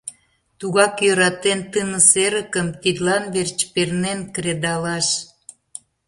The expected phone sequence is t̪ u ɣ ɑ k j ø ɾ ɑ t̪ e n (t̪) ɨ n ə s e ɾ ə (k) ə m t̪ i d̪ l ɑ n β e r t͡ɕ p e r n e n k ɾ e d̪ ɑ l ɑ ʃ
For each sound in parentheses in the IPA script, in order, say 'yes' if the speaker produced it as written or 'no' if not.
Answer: yes, yes

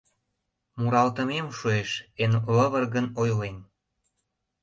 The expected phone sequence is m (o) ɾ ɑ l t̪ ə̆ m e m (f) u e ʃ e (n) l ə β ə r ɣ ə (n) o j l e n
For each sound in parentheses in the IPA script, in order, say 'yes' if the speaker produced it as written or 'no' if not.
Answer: no, no, yes, yes

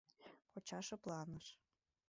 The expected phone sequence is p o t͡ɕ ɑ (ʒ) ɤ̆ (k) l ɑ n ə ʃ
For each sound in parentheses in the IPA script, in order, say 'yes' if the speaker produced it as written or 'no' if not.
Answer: no, no

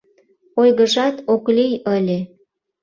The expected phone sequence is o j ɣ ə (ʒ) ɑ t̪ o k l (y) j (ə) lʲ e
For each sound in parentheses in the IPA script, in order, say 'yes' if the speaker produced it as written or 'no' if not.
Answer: yes, no, yes

